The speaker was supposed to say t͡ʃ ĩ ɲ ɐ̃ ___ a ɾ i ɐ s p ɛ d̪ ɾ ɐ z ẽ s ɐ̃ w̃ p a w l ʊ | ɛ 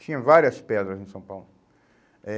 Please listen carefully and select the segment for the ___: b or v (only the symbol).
v